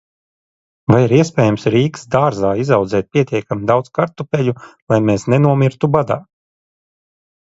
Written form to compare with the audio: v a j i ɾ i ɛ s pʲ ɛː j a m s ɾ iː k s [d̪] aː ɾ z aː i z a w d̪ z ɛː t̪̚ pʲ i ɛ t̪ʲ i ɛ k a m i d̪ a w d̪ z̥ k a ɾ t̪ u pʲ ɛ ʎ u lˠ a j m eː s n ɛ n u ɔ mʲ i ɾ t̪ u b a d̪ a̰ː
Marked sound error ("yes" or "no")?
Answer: no